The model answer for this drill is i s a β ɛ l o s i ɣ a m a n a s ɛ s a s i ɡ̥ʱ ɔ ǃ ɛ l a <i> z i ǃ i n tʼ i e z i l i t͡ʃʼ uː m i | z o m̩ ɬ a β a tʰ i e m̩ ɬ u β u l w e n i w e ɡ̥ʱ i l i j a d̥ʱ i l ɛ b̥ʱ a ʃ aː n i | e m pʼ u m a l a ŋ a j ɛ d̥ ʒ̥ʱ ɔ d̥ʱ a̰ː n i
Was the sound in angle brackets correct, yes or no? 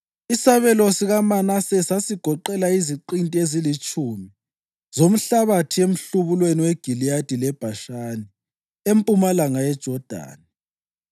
yes